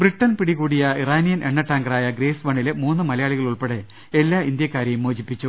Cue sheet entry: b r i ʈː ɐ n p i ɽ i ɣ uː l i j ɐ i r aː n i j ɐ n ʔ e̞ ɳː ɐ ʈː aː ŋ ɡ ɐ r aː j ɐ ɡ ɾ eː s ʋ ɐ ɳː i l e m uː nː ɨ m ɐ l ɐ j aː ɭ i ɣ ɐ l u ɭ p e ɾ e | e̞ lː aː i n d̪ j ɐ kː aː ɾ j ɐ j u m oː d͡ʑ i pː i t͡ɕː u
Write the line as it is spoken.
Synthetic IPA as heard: b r i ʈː ɐ n p i ɽ i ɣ uː ɽ i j ɐ i r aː n i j ɐ n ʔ e̞ ɳː ɐ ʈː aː ŋ ɡ ɐ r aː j ɐ ɡ ɾ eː s ʋ ɐ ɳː i l e m uː nː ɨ m ɐ l ɐ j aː ɭ i ɣ ɐ ɭ u ɭ p e ɽ e | e̞ lː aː i n d̪ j ɐ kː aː ɾ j ɐ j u m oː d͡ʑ i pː i t͡ɕː u